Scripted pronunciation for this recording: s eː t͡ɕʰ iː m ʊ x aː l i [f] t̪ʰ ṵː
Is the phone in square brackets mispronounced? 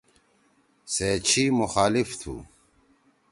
no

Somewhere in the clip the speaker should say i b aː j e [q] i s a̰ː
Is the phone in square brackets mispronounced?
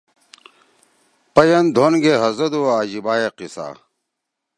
no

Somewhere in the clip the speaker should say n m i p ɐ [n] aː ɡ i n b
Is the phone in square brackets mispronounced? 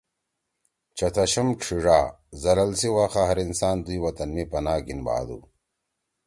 no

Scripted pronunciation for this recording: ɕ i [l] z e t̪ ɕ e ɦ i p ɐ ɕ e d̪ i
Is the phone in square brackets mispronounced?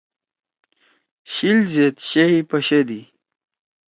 no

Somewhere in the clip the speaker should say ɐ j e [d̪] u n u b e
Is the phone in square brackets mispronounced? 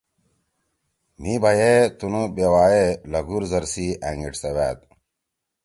yes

